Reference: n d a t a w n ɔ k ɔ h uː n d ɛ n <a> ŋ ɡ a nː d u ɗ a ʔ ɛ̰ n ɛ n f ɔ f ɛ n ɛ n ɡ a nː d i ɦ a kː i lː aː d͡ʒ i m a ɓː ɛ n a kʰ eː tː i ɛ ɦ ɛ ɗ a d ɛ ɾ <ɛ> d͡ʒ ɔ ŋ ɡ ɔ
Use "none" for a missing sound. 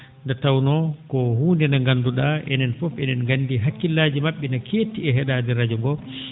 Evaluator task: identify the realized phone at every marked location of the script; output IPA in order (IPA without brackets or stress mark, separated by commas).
a, a